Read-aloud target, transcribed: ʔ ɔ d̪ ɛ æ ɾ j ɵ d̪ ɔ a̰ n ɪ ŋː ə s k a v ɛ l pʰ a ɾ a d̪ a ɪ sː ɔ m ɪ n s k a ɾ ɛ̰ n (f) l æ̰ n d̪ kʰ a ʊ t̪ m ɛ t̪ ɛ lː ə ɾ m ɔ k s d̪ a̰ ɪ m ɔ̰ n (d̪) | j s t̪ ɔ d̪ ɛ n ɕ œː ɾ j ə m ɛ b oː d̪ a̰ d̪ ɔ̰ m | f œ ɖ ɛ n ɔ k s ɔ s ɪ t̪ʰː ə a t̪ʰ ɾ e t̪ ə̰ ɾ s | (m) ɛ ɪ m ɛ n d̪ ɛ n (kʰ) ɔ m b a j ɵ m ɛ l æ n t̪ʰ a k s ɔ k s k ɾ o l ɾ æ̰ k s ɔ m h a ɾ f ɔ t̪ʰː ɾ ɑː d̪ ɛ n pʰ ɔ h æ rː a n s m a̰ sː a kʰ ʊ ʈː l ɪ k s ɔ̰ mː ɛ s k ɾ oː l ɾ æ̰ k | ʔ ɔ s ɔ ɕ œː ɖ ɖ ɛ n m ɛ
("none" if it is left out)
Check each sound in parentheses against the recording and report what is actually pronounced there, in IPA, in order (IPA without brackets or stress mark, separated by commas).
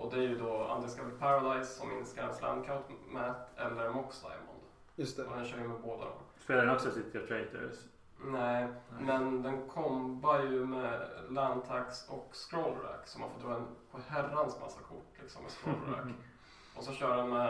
s, d̪, n, kʰ